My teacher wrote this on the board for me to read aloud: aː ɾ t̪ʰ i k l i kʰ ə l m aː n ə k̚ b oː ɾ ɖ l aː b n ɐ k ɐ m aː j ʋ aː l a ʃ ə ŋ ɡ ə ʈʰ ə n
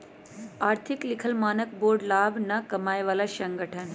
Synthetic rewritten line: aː ɾ t̪ʰ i k l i kʰ ə l m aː n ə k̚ b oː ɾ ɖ l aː b n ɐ k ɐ m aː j ʋ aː l a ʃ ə ŋ ɡ ə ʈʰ ə n

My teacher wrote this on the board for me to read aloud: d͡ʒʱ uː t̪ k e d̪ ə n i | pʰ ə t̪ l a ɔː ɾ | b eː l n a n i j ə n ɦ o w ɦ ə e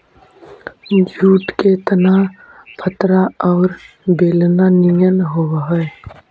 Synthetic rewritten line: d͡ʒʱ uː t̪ k e t̪ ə n a | pʰ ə t̪ ɾ a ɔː ɾ | b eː l n a n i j ə n ɦ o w ɦ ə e

